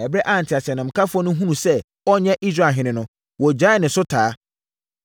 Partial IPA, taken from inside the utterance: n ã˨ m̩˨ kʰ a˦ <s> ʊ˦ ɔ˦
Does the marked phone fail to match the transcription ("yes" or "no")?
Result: yes